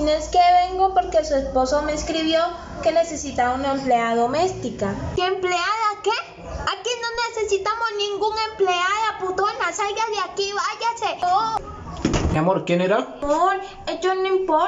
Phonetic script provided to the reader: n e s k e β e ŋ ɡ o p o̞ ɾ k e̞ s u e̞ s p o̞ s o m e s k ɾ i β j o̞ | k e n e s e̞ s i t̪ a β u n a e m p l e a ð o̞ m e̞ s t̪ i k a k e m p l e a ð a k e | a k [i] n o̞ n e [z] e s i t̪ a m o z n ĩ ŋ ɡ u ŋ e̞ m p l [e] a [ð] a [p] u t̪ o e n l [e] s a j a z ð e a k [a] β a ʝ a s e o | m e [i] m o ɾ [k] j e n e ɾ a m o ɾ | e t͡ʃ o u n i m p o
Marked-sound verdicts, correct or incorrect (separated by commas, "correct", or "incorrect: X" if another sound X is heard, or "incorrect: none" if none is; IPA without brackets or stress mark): correct, incorrect: s, correct, correct, correct, incorrect: a, incorrect: i, incorrect: a, correct